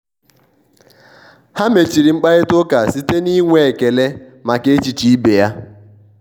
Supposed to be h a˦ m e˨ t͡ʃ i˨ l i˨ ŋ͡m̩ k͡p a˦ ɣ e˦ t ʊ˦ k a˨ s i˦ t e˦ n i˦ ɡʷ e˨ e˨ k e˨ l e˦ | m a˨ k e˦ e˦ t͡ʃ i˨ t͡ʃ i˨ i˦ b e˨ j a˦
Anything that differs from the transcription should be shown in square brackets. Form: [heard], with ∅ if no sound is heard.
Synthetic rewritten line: h a˦ m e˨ t͡ʃ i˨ [ɾ] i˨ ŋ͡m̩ k͡p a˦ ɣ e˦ t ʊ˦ k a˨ s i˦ t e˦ n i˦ [ŋʷ] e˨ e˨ k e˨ l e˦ | m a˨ k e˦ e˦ t͡ʃ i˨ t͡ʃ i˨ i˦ b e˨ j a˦